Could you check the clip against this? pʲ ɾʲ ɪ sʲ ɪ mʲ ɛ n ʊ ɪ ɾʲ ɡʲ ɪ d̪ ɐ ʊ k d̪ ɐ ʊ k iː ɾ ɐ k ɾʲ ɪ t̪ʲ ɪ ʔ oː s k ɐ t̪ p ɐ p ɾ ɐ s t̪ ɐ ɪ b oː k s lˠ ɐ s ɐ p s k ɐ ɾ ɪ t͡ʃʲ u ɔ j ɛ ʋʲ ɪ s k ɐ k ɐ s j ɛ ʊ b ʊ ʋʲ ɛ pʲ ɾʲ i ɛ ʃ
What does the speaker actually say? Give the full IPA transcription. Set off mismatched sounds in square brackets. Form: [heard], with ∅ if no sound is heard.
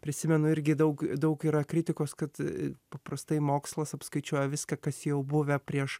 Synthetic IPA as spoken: pʲ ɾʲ ɪ sʲ ɪ mʲ ɛ n ʊ ɪ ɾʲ ɡʲ ɪ d̪ ɐ ʊ k d̪ ɐ ʊ k iː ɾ ɐ k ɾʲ ɪ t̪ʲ ɪ [k] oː s k ɐ t̪ p ɐ p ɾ ɐ s t̪ ɐ ɪ [m] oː k s lˠ ɐ s ɐ p s k ɐ [∅] ɪ t͡ʃʲ u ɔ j ɛ ʋʲ ɪ s k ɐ k ɐ s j ɛ ʊ b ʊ ʋʲ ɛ pʲ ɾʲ i ɛ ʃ

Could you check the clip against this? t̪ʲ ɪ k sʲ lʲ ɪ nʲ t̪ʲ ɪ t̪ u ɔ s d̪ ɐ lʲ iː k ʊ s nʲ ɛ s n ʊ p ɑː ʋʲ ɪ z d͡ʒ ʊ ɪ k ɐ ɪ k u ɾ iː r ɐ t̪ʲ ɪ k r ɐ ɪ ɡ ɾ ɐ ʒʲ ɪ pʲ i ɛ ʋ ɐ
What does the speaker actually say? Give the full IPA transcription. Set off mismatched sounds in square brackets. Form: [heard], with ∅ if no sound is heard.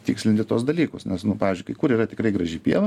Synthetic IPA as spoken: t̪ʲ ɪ k sʲ lʲ ɪ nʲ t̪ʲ ɪ t̪ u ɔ s d̪ ɐ lʲ iː k ʊ s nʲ ɛ s n ʊ p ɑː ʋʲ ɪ z d͡ʒ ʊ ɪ k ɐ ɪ k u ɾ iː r ɐ t̪ʲ ɪ k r ɐ ɪ ɡ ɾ ɐ ʒʲ ɪ pʲ i ɛ ʋ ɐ

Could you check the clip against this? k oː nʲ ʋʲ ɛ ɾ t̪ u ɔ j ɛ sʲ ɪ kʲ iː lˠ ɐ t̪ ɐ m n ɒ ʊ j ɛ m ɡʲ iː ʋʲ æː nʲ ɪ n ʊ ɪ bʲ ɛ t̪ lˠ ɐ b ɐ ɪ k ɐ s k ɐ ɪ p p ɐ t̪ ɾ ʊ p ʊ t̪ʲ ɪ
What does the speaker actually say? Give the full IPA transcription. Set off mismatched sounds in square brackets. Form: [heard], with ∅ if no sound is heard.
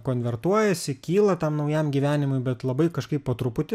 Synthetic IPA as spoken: k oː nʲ ʋʲ ɛ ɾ t̪ u ɔ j ɛ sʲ ɪ kʲ iː lˠ ɐ t̪ ɐ m n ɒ ʊ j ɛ m ɡʲ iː ʋʲ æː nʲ ɪ [m] ʊ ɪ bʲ ɛ t̪ lˠ ɐ b ɐ ɪ k ɐ [ʃ] k ɐ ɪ p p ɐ t̪ ɾ ʊ p ʊ t̪ʲ ɪ

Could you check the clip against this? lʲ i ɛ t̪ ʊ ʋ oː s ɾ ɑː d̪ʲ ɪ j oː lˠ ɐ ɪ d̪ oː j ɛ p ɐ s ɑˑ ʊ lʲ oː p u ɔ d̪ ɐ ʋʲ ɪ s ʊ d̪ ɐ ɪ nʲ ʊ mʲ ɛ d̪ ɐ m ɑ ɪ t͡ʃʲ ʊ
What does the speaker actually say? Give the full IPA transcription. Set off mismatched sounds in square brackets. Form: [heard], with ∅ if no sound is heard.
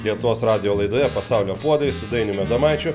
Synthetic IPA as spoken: lʲ i ɛ t̪ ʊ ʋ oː s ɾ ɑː d̪ʲ ɪ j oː lˠ ɐ ɪ d̪ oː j ɛ p ɐ s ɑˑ ʊ lʲ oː p u ɔ d̪ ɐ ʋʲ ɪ s ʊ d̪ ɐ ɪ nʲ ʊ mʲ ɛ d̪ ɐ m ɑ ɪ t͡ʃʲ ʊ

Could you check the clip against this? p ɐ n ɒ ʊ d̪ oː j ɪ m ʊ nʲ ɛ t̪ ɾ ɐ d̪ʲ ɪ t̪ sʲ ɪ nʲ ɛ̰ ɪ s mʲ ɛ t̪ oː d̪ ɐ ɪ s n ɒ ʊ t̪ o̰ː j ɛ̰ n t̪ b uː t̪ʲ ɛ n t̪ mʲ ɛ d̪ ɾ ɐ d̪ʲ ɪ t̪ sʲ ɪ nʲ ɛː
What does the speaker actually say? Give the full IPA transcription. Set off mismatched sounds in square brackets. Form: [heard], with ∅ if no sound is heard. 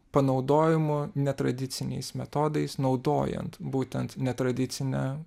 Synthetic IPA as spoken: p ɐ n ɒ ʊ d̪ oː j ɪ m ʊ nʲ ɛ t̪ ɾ ɐ d̪ʲ ɪ t̪ sʲ ɪ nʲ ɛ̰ ɪ s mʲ ɛ t̪ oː d̪ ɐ ɪ s n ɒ ʊ [d̪] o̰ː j ɛ̰ n t̪ b uː t̪ʲ ɛ n t̪ [nʲ] ɛ [t̪] ɾ ɐ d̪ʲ ɪ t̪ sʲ ɪ nʲ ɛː

